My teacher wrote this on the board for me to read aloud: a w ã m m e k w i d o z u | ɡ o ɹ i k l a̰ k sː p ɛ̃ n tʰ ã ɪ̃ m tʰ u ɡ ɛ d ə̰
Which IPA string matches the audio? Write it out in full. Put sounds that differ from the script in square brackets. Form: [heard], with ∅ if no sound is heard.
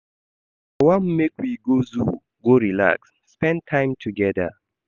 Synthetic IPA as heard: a w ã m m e k w i [ɡ] o z u | ɡ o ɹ i [∅] l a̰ k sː p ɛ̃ n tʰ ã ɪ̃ m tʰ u ɡ ɛ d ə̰